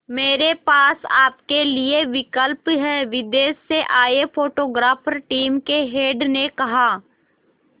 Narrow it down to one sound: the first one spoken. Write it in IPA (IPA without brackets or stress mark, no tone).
m